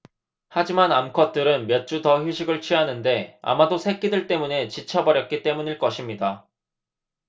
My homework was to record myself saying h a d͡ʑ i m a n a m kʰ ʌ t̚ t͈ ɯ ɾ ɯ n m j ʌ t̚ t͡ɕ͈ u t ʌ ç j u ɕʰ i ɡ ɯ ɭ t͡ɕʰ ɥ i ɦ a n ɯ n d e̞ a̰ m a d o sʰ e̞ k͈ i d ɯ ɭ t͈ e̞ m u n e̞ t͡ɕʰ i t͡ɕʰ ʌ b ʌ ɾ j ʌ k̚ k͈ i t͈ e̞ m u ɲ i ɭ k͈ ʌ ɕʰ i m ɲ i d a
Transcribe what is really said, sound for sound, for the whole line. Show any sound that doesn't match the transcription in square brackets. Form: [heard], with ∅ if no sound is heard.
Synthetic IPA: h a d͡ʑ i m a n a m kʰ ʌ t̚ t͈ ɯ ɾ ɯ n m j ʌ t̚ t͡ɕ͈ u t ʌ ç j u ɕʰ i ɡ ɯ ɭ t͡ɕʰ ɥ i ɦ a n ɯ n d e̞ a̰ m a d o sʰ e̞ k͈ i d ɯ ɭ t͈ e̞ m u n e̞ [t͡ɕ] i t͡ɕʰ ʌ b ʌ ɾ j ʌ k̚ k͈ i t͈ e̞ m u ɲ i ɭ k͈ ʌ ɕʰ i m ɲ i d a